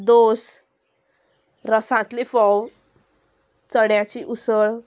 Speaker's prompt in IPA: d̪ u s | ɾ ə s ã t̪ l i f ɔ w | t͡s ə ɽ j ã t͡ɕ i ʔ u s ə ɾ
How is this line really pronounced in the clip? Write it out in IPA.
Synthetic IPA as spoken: d̪ o s | ɾ ə s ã t̪ l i f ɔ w | t͡s ə ɽ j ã t͡ɕ i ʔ u s ə ɭ